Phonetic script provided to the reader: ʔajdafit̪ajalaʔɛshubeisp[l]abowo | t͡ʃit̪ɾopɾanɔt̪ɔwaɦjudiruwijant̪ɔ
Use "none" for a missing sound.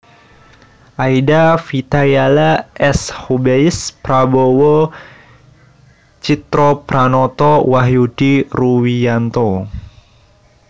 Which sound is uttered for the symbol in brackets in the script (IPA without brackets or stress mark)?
ɾ